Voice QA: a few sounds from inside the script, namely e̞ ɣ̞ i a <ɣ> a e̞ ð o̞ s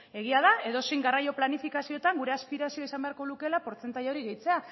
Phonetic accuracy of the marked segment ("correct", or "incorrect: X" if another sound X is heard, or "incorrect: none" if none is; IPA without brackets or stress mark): incorrect: ð